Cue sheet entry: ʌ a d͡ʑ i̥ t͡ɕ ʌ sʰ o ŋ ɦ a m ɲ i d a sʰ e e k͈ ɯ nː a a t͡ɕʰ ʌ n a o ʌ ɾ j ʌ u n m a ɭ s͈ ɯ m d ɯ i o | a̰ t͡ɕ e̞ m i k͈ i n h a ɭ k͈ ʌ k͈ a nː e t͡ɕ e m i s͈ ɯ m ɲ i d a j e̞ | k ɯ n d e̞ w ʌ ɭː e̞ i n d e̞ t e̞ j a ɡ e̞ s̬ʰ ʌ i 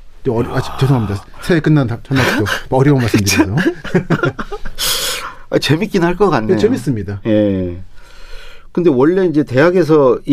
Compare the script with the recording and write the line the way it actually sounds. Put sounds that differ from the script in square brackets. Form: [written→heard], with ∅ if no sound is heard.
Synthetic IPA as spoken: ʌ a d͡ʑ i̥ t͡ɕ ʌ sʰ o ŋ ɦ a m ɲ i d a sʰ e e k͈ ɯ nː a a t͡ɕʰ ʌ n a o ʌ ɾ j ʌ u n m a ɭ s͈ ɯ m d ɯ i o | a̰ t͡ɕ e̞ m i k͈ i n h a ɭ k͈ ʌ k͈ a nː e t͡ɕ e m i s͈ ɯ m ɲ i d a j e̞ | k ɯ n d e̞ w ʌ ɭː e̞ i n [d→d͡ʑ] e̞ t e̞ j a ɡ e̞ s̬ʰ ʌ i